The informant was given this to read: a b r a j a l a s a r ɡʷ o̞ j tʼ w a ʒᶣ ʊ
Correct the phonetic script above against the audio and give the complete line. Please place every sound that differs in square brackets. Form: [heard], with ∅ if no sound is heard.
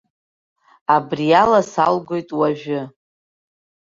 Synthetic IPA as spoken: a b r [i] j a l a s a [l] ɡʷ o̞ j tʼ w a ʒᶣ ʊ